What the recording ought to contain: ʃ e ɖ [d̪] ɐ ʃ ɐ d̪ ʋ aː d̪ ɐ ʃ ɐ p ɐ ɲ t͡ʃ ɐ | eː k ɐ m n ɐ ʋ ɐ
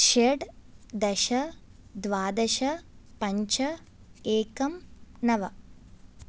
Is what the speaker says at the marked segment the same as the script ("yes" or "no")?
yes